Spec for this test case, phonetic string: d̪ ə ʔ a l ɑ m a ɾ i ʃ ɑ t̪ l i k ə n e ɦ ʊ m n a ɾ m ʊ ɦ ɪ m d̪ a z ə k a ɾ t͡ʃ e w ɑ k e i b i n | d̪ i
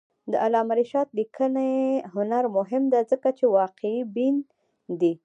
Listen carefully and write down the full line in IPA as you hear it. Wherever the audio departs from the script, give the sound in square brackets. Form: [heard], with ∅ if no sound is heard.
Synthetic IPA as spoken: d̪ ə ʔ a l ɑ m a ɾ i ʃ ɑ t̪ l i k ə n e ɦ ʊ [∅] n a ɾ m ʊ ɦ ɪ m d̪ a z ə k a [∅] t͡ʃ e w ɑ [q] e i b i n | d̪ i